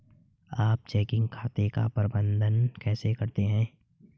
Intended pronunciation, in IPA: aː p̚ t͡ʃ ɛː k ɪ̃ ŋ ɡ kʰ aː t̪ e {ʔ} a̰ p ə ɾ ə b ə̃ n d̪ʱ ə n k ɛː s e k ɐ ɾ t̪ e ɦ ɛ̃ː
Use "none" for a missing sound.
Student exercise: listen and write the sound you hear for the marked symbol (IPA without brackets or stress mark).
k